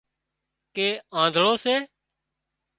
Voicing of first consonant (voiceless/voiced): voiceless